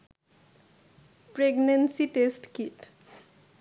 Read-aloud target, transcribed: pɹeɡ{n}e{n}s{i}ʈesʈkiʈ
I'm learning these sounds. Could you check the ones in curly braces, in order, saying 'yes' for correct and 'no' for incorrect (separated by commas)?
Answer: yes, yes, yes